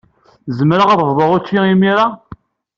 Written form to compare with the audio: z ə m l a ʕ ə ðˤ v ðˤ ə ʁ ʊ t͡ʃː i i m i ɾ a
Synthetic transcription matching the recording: z ə m ɾ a ʁ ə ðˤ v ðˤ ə ʁ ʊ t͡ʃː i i m i ɾ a